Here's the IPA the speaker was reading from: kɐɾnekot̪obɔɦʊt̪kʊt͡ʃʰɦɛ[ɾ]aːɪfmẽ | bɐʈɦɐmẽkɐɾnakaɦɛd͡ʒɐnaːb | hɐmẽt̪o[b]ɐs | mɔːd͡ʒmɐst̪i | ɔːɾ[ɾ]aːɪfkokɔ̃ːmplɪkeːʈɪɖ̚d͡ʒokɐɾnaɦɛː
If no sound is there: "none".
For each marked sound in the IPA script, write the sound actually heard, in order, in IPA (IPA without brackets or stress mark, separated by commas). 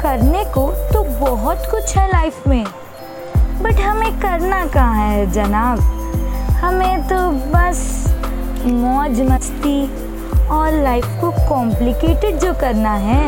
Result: l, b, l